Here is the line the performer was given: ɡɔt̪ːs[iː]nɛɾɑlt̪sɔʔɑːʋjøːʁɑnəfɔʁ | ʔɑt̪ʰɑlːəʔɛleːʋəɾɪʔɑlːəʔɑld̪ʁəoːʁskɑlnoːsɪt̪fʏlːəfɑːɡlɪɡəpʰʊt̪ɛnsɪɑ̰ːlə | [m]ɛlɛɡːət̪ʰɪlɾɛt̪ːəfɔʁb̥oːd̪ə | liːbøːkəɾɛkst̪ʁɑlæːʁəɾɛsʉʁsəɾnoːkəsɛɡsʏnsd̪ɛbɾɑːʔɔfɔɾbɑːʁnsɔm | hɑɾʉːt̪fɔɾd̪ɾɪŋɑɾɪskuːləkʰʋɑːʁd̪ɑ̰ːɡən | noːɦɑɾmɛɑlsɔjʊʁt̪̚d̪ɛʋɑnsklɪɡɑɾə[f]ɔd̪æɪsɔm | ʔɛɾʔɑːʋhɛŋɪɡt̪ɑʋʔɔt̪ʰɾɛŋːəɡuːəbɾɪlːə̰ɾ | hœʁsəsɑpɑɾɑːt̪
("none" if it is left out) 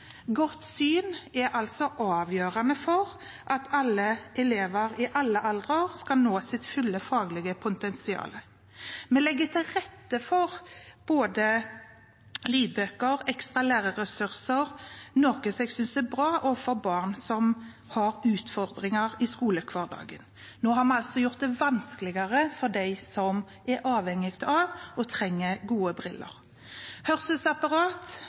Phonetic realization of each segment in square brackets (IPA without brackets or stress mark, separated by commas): yː, m, f